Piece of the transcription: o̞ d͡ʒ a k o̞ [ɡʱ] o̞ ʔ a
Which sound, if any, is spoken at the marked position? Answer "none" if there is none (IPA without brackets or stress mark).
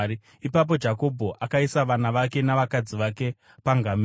bʱ